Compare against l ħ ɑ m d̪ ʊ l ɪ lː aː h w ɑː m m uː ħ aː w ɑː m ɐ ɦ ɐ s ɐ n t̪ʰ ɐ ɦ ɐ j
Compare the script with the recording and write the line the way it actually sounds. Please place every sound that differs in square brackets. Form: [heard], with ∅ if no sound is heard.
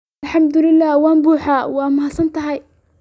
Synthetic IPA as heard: l ħ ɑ m d̪ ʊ l ɪ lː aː h w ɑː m [b] uː ħ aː w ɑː m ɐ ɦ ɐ s ɐ n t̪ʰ ɐ ɦ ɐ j